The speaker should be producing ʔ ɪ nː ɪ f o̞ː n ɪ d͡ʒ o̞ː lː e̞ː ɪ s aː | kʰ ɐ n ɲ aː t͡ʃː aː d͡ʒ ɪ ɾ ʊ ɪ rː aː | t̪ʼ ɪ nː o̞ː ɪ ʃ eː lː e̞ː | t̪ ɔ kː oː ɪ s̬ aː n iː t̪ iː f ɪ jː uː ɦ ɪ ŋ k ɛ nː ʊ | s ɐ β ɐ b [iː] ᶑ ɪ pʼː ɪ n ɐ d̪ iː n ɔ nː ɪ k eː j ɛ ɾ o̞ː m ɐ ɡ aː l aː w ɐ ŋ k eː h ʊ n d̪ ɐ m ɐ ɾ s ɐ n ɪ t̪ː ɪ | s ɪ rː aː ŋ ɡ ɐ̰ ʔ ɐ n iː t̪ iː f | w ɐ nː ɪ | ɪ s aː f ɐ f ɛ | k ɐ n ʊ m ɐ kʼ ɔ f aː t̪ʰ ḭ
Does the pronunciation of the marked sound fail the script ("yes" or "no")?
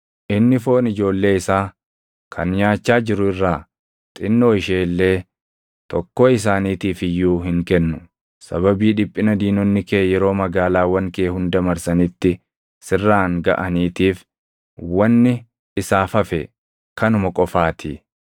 no